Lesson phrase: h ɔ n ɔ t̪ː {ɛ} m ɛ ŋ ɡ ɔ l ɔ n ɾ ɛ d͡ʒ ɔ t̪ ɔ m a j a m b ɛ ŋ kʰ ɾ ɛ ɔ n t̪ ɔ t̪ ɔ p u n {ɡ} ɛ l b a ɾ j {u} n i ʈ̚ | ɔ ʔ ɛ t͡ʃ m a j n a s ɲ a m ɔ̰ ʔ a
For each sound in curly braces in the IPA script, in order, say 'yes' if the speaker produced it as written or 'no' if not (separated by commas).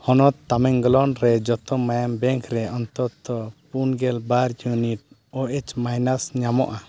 no, yes, yes